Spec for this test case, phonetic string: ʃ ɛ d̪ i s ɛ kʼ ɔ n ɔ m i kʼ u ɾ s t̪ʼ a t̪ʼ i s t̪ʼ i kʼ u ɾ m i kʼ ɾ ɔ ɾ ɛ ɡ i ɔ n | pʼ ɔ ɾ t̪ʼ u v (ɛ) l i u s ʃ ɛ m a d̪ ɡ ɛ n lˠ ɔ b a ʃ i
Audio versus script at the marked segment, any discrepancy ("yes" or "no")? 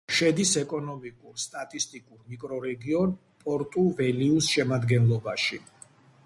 no